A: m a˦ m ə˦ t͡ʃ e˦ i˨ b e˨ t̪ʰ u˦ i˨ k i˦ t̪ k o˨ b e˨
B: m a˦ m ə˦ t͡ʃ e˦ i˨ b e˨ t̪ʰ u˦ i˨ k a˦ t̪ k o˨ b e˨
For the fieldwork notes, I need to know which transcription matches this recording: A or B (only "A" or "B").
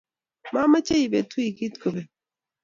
A